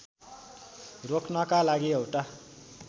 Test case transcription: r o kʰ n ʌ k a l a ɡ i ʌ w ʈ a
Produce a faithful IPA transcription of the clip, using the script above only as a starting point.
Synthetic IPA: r o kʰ n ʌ k a l a ɡ i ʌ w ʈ a